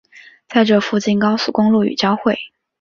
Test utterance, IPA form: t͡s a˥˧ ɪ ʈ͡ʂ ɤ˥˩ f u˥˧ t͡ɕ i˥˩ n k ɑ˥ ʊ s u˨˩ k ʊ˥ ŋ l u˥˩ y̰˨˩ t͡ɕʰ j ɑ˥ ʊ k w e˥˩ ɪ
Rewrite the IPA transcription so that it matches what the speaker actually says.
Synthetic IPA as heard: t͡s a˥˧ ɪ ʈ͡ʂ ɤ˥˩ f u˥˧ t͡ɕ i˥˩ n k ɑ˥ ʊ s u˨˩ k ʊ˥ ŋ l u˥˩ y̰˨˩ t͡ɕ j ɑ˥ ʊ x w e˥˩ ɪ